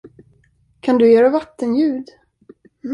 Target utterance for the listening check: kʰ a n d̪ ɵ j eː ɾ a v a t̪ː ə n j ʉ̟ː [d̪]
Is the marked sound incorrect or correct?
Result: correct